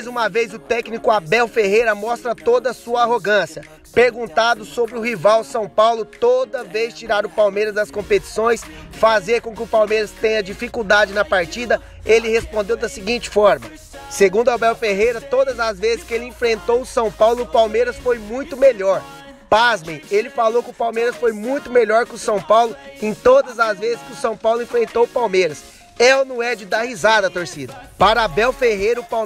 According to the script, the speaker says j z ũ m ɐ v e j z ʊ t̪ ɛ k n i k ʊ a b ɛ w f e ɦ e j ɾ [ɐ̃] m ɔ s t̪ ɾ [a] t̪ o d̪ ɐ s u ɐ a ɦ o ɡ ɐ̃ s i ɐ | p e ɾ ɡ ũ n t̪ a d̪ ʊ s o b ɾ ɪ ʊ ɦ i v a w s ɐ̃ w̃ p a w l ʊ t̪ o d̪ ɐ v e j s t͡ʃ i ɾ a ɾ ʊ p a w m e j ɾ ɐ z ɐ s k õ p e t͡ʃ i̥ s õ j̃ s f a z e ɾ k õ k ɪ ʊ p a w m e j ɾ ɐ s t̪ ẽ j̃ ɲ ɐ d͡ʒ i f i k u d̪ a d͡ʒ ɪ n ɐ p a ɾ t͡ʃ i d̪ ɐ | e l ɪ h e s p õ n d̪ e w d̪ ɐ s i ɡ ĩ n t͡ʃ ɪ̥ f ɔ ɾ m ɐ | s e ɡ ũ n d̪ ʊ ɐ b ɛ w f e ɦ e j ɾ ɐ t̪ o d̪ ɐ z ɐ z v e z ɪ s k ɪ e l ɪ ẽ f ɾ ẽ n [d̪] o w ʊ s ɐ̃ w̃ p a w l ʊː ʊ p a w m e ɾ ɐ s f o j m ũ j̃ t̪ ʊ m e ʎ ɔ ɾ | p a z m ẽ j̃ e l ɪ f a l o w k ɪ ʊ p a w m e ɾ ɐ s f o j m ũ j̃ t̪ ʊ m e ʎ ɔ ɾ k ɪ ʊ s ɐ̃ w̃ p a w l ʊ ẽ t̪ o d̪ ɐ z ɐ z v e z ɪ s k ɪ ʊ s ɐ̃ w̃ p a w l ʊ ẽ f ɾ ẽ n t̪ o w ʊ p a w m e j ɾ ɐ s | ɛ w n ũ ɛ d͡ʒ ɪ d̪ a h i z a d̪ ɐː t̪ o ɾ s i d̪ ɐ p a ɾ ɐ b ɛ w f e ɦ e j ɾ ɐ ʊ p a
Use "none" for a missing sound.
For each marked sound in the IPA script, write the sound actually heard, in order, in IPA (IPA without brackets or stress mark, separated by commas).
ɐ, ɐ, t̪